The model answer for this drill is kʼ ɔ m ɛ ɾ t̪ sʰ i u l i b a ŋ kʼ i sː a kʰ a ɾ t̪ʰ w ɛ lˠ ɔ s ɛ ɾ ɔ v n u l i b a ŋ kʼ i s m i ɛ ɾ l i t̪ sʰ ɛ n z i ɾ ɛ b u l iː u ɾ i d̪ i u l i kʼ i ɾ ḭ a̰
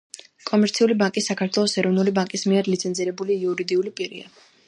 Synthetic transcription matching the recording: kʼ ɔ m ɛ ɾ t̪ sʰ i u l i b a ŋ kʼ i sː a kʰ a ɾ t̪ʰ w ɛ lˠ ɔ s ɛ ɾ ɔ v n u l i b a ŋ kʼ i s m i ɛ ɾ l i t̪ sʰ ɛ n z i ɾ ɛ b u l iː u ɾ i d̪ i u l i pʼ i ɾ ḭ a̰